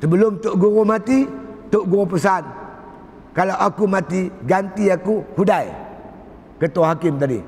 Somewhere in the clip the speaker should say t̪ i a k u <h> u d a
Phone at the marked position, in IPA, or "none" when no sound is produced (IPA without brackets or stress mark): h